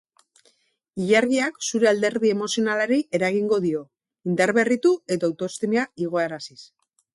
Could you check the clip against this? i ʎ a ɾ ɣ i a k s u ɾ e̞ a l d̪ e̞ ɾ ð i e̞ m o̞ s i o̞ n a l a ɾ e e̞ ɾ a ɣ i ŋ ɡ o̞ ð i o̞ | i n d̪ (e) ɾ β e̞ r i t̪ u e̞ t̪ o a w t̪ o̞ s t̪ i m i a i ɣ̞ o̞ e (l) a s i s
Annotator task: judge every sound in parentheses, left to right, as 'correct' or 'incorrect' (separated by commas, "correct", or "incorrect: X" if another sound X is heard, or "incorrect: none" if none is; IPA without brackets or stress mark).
incorrect: a, incorrect: ɾ